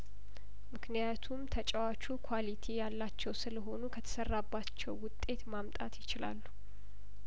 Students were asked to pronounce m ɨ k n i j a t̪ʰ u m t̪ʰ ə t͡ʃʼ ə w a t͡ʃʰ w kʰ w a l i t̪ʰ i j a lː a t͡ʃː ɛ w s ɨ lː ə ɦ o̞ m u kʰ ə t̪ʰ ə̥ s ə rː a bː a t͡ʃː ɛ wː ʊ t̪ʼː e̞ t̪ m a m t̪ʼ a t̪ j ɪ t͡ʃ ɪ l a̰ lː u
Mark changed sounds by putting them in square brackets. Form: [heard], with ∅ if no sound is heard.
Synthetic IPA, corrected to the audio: m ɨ k n i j a t̪ʰ u m t̪ʰ ə t͡ʃʼ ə w a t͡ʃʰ [u] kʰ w a l i t̪ʰ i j a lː a t͡ʃː ɛ w s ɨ [l] ə ɦ o̞ [n] u kʰ ə t̪ʰ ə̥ s ə rː a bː a t͡ʃː ɛ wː ʊ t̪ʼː e̞ t̪ m a m t̪ʼ a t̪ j ɪ t͡ʃ ɪ l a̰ lː u